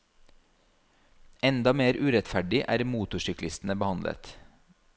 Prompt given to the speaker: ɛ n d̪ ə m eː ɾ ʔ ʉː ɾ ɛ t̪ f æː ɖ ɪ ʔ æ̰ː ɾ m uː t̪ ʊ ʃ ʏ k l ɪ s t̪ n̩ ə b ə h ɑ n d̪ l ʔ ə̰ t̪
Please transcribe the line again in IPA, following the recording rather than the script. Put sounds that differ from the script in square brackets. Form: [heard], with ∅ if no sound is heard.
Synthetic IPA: ɛ n d̪ [ɑ] m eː ɾ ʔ ʉː ɾ ɛ t̪ f [æ] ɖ ɪ ʔ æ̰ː ɾ m uː t̪ ʊ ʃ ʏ k l ɪ s t̪ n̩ ə b ə h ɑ n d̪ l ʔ ə̰ t̪